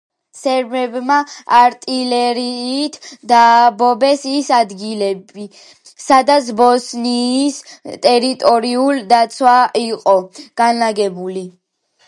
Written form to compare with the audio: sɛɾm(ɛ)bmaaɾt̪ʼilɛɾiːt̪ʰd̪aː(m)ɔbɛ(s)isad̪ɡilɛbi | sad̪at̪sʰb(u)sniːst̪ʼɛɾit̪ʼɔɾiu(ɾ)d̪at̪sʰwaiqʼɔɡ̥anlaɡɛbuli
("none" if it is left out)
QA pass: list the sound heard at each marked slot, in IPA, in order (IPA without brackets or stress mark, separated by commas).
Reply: ɛ, b, s, ɔ, l